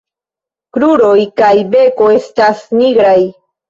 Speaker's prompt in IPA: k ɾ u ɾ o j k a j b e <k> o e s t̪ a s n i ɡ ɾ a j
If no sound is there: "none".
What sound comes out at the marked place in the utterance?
k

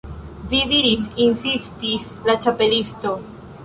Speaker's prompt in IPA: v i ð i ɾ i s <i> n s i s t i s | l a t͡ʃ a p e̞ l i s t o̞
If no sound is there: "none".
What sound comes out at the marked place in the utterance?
i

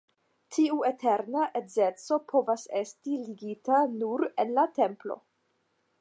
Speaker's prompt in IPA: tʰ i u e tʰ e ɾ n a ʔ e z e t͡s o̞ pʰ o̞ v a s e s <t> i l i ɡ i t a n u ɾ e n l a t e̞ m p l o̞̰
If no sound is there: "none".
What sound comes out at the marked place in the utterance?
t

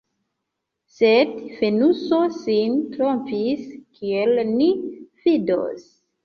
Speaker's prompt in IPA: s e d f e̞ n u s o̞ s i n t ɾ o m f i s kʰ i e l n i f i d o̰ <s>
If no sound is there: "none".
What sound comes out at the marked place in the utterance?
s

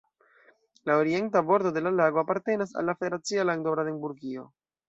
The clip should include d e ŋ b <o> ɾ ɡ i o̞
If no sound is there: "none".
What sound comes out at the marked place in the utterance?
u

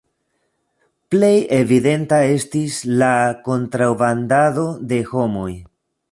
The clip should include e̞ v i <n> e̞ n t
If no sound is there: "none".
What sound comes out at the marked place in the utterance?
d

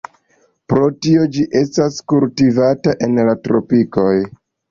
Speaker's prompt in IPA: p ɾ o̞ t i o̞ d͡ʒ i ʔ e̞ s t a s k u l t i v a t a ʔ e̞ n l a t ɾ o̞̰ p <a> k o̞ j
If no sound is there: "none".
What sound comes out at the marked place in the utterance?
i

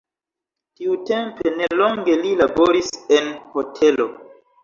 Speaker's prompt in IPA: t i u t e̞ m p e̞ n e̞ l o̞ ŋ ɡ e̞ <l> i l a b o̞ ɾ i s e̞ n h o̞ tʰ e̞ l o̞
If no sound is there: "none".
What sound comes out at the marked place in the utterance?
l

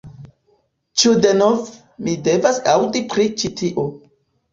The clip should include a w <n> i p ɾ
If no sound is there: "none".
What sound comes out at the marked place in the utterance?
d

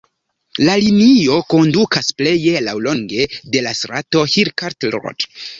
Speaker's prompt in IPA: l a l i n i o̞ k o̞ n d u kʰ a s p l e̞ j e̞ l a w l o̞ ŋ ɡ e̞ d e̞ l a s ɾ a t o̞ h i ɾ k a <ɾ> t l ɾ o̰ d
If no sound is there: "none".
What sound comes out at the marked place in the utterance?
ɾ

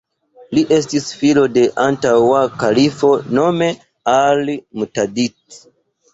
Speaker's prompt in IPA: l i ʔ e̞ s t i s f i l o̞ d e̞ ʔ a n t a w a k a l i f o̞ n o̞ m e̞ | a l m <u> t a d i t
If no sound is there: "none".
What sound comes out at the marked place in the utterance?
u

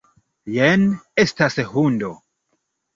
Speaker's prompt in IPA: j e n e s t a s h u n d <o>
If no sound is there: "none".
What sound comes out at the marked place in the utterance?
o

